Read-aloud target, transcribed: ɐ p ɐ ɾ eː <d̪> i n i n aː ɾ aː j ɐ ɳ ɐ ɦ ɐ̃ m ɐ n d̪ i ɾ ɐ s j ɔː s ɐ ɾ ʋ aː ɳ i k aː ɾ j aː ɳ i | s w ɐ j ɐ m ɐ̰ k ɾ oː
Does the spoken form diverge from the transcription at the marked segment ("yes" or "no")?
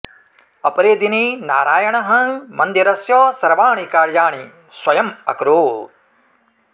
no